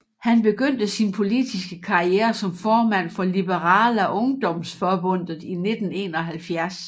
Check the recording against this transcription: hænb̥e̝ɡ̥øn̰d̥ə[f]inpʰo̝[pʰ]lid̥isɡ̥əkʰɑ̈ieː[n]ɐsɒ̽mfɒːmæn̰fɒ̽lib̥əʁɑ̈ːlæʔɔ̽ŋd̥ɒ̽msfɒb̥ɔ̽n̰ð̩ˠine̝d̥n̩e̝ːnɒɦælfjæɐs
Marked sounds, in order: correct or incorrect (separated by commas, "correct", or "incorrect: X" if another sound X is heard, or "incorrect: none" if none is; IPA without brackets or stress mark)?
incorrect: s, incorrect: none, incorrect: none